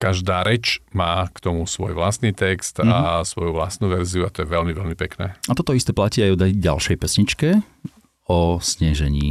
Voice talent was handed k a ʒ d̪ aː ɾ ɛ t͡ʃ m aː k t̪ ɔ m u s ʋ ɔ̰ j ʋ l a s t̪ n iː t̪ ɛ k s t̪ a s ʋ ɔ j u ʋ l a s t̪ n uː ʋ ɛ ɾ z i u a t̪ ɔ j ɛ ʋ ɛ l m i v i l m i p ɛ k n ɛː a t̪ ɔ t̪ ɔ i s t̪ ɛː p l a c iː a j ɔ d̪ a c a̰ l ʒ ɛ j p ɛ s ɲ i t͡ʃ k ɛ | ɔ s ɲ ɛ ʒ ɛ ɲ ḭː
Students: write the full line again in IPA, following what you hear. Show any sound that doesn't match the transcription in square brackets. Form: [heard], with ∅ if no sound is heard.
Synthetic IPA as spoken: k a ʒ d̪ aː ɾ ɛ t͡ʃ m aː k t̪ ɔ m u s ʋ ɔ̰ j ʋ l a s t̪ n iː t̪ ɛ k s t̪ a s ʋ ɔ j u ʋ l a s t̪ n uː ʋ ɛ ɾ z i u a t̪ ɔ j ɛ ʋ ɛ l m i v [ɛ] l m i p ɛ k n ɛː a t̪ ɔ t̪ ɔ i s t̪ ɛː p l a c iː a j ɔ d̪ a [ɟ] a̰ l [ʃ] ɛ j p ɛ s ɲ i t͡ʃ k ɛ | ɔ s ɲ ɛ ʒ ɛ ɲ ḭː